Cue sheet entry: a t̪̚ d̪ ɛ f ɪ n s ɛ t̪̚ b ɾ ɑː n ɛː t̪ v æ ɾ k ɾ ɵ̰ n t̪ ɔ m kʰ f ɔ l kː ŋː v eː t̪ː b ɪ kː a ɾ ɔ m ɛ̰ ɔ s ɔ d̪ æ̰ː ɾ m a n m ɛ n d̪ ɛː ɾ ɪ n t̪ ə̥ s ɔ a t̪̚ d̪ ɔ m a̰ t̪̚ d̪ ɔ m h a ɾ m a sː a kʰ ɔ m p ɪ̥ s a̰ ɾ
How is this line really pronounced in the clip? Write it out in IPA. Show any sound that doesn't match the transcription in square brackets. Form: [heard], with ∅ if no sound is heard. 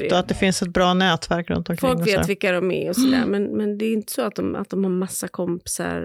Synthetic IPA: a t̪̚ d̪ ɛ f ɪ n s ɛ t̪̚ b ɾ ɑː n ɛː t̪ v æ ɾ k ɾ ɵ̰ n t̪ ɔ m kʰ f ɔ l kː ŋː v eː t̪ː [v] ɪ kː a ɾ ɔ m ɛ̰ ɔ s ɔ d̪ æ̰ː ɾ m [ɛ] n m ɛ n d̪ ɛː ɾ ɪ n t̪ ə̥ s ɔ a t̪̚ d̪ ɔ m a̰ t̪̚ d̪ ɔ m h a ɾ m a sː a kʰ ɔ m p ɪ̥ s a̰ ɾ